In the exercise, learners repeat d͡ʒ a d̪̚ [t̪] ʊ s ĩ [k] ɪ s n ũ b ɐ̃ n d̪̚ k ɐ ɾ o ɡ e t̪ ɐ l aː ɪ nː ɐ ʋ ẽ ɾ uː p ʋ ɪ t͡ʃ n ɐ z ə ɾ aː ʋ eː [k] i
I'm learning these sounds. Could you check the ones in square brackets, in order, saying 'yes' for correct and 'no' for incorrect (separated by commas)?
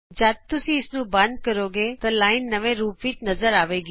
yes, no, no